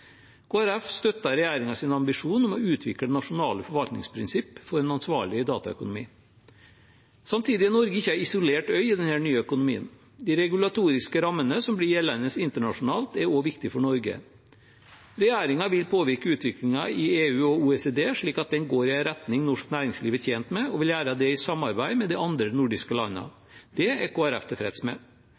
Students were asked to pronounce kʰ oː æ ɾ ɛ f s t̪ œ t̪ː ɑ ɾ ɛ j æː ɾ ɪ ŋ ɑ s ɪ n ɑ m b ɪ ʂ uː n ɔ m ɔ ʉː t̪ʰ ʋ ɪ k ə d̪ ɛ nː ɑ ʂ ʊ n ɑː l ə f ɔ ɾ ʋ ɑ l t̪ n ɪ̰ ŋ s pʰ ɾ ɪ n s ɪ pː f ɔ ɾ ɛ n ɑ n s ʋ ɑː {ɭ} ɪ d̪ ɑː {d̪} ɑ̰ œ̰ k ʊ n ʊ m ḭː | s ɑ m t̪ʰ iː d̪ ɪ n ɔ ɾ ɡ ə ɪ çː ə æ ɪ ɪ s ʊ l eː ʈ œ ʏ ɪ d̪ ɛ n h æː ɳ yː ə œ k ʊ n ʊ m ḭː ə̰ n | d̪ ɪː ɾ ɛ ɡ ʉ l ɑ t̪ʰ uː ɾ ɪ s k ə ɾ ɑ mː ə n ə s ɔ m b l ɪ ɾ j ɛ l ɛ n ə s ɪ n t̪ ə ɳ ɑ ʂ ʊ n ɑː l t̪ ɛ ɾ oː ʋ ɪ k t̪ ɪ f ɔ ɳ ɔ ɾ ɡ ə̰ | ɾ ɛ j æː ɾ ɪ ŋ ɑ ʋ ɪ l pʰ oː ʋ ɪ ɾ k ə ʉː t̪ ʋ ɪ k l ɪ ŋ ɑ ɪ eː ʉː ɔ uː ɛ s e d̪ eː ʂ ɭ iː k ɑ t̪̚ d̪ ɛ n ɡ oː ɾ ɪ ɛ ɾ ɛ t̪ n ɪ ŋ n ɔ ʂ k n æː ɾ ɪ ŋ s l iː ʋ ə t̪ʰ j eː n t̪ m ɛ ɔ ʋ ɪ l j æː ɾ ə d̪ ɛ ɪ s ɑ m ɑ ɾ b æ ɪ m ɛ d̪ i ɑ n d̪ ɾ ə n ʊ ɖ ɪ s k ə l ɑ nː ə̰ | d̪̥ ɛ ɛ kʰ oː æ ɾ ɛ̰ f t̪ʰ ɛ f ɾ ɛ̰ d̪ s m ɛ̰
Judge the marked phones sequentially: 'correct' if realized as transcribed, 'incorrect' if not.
correct, incorrect: t̪

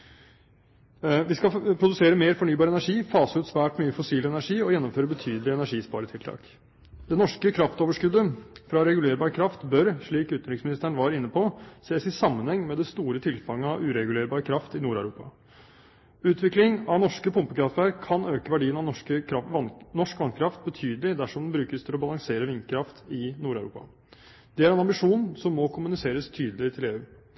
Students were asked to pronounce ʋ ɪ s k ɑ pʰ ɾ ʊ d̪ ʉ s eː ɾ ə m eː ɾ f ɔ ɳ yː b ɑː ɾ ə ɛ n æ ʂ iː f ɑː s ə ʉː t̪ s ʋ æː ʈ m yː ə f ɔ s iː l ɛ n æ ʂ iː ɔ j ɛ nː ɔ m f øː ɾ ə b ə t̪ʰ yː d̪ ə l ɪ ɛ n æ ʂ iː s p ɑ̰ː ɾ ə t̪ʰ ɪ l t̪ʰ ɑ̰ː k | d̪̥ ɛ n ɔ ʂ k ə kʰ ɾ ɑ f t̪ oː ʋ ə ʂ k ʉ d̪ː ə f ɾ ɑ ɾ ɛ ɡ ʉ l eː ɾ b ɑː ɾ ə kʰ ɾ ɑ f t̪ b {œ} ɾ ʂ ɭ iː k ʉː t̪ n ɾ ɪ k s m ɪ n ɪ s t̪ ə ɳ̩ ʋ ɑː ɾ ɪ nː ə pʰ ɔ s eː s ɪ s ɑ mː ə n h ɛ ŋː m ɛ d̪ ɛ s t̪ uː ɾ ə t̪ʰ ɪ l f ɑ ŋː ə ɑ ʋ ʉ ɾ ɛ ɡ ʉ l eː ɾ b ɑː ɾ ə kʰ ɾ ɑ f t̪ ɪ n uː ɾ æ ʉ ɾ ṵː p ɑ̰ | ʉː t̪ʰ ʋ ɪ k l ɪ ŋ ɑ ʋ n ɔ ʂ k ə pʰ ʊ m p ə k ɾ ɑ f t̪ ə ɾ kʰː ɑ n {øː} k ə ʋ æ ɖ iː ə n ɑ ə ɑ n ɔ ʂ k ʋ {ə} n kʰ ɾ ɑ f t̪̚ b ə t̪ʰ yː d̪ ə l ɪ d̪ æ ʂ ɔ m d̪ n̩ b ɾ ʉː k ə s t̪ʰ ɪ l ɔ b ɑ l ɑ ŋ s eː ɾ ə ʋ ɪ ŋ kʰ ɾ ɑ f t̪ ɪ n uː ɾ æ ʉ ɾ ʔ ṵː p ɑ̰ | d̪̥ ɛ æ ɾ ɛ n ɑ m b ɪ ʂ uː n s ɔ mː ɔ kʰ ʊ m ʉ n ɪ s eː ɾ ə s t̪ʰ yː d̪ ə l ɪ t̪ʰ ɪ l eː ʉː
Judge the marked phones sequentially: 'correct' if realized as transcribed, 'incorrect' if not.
correct, correct, incorrect: ɑ

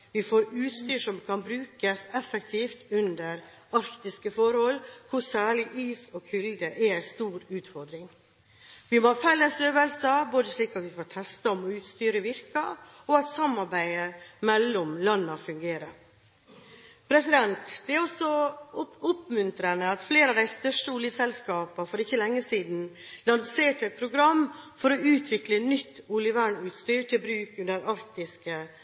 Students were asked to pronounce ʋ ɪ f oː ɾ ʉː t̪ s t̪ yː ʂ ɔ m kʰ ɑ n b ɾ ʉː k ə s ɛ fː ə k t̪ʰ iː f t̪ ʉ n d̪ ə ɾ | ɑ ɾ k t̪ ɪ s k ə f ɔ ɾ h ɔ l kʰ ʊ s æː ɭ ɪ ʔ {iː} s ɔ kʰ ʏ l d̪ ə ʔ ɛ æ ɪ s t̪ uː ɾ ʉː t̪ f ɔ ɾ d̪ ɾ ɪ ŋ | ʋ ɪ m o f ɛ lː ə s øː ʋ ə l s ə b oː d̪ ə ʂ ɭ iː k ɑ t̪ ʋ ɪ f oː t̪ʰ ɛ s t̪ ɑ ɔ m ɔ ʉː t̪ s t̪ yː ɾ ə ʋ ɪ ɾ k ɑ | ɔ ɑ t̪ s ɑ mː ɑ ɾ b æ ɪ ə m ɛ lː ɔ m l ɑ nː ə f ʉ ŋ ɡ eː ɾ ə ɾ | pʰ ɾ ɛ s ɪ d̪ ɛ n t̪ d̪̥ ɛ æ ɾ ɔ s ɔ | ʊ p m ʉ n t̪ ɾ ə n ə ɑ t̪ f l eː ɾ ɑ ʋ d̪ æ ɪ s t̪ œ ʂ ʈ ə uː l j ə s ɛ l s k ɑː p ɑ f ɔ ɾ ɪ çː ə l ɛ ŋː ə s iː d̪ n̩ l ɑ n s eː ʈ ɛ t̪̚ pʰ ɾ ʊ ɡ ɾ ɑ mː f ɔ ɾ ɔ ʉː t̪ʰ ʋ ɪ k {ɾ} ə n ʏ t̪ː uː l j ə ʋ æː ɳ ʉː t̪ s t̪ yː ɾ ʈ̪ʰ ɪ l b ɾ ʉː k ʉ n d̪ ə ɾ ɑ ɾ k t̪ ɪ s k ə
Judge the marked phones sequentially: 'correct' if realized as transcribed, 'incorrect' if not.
correct, incorrect: l

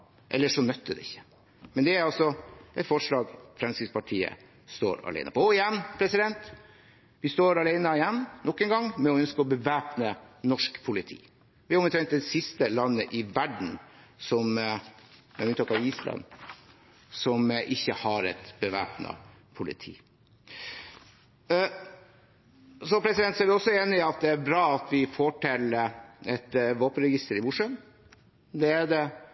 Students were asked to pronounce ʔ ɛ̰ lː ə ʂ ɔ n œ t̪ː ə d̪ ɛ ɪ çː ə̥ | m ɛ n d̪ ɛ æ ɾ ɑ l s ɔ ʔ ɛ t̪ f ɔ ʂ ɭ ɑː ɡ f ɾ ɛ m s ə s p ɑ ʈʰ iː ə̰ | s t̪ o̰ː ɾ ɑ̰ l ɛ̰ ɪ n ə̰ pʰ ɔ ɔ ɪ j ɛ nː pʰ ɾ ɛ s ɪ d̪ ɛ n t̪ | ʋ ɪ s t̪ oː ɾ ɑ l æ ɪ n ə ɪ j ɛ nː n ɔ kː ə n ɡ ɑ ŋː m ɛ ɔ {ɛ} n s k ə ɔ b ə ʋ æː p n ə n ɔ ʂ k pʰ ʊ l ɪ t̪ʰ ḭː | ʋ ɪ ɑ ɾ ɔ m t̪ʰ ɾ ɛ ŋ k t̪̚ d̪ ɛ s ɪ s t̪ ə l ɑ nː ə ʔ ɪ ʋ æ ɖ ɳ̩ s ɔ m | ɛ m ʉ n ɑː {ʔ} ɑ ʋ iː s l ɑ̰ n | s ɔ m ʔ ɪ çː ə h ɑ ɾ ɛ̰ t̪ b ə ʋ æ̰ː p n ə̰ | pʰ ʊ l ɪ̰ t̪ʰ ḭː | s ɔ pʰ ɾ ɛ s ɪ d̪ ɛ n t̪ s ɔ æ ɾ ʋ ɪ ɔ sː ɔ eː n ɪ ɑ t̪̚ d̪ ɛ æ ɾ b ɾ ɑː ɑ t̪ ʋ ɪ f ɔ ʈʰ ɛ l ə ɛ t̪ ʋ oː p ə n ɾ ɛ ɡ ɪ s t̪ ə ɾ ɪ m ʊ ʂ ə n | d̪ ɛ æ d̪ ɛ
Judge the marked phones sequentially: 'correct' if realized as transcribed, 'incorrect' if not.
incorrect: œ, incorrect: k

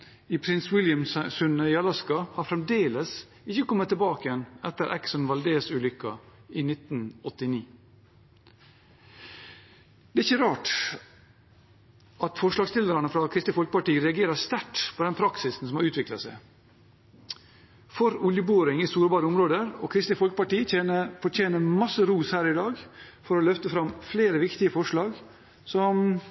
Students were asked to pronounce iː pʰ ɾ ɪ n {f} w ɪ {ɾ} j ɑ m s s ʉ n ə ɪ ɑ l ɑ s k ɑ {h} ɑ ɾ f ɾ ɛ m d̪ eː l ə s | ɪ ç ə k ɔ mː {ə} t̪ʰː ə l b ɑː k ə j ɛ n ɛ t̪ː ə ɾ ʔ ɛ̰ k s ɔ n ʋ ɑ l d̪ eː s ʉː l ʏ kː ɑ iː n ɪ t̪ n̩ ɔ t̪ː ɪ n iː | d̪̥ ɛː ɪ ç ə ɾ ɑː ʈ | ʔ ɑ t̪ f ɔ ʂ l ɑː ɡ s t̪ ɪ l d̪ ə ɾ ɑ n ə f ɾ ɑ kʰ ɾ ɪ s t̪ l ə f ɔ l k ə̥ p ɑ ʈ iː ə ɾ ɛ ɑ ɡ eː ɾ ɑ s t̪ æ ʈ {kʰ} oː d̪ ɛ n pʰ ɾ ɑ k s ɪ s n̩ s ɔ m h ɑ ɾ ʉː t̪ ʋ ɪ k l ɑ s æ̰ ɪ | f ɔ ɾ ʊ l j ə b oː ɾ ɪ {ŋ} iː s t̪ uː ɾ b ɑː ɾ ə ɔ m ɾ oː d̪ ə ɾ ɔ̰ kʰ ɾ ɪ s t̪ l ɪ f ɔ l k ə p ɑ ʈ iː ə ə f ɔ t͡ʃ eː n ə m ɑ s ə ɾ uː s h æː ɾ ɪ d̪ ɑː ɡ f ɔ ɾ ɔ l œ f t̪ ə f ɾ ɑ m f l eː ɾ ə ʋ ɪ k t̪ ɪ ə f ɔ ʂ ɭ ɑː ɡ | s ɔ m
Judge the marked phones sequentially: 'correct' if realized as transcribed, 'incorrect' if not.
incorrect: s, incorrect: l, correct, correct, incorrect: pʰ, correct

